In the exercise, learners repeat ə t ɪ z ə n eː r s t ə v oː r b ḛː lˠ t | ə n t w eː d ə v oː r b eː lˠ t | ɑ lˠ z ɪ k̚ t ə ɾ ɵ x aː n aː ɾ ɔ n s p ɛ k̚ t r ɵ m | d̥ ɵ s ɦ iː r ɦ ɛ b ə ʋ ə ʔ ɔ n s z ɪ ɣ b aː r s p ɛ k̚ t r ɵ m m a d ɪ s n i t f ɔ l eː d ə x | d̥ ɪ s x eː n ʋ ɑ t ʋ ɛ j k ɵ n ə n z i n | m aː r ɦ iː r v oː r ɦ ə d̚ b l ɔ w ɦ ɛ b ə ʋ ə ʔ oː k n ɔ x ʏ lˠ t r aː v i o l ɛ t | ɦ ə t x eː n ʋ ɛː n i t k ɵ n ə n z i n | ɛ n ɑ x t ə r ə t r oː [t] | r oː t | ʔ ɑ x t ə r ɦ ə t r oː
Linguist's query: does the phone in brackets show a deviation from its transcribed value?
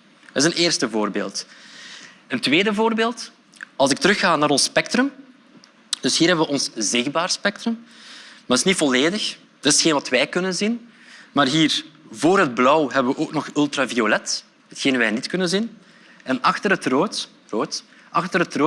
no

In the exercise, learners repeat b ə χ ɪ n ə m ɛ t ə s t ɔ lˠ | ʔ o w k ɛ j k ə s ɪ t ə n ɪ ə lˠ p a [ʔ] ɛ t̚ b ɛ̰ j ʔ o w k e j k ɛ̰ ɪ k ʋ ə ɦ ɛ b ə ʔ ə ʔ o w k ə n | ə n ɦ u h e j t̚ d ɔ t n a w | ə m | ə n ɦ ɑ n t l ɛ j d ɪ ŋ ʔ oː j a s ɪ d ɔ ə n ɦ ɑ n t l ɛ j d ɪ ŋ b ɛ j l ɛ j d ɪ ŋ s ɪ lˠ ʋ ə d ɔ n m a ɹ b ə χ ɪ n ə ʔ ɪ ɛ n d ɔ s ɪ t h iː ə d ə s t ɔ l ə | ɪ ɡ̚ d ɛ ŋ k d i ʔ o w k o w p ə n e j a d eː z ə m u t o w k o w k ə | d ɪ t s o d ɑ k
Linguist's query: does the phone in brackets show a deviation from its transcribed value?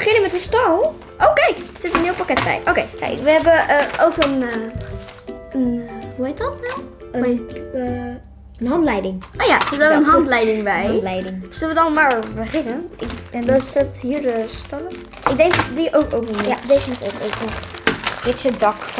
yes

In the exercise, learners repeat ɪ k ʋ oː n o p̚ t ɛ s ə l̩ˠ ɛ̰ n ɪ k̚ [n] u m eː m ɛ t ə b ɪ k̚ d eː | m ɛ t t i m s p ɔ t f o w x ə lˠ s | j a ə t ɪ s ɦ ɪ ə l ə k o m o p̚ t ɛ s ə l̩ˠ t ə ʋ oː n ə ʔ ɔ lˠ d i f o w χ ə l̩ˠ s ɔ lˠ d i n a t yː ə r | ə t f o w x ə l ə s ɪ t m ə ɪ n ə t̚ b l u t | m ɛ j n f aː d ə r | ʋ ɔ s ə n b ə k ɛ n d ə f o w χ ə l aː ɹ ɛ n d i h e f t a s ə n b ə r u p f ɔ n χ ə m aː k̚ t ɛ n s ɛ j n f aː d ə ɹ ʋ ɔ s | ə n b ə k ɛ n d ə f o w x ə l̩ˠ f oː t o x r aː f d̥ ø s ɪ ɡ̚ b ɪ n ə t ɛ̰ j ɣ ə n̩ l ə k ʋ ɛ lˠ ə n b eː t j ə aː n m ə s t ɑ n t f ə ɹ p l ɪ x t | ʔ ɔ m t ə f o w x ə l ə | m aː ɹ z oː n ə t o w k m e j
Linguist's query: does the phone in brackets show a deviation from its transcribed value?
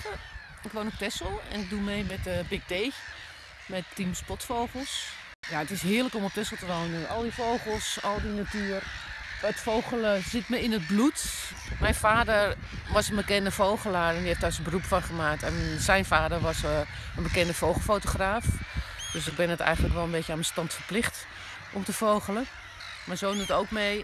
yes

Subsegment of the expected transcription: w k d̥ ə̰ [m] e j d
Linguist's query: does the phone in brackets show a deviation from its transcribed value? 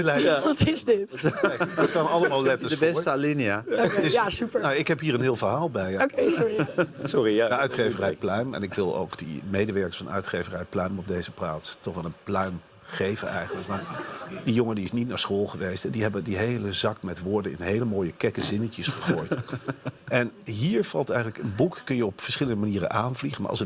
no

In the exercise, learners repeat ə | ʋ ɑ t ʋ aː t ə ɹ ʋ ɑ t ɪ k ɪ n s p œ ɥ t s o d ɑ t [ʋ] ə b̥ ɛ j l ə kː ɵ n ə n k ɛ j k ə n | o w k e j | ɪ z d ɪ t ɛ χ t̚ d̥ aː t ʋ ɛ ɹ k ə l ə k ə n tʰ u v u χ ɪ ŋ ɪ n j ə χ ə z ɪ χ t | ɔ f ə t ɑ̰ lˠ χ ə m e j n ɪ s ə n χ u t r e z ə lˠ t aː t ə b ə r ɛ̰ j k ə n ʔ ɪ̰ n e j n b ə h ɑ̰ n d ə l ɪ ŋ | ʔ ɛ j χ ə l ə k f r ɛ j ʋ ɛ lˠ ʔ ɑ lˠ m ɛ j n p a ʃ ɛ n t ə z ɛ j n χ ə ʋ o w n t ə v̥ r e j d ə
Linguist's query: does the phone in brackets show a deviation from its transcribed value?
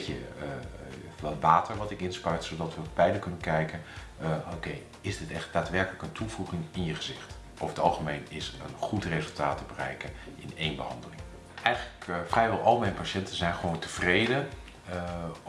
no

